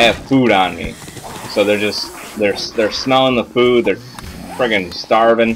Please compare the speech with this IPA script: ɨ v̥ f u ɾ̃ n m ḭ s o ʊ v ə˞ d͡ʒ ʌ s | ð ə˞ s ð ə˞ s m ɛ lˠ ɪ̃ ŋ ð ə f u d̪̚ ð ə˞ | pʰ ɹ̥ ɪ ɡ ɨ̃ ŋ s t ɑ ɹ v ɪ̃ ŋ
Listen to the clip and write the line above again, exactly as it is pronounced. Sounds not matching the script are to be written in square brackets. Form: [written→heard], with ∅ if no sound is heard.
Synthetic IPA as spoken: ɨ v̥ f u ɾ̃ n m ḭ s o ʊ [v→ð] ə˞ d͡ʒ ʌ s | ð ə˞ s ð ə˞ s m ɛ lˠ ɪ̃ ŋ ð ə f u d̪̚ ð ə˞ | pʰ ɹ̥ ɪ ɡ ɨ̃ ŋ s t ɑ ɹ v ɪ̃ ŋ